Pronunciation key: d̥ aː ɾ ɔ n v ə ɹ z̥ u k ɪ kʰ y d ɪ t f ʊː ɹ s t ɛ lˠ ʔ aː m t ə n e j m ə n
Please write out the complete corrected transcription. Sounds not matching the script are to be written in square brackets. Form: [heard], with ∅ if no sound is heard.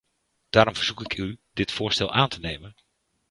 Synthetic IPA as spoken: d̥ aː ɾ ɔ [m] v ə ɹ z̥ u k ɪ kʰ y d ɪ t f ʊː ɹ s t ɛ lˠ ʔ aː [n] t ə n e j m ə n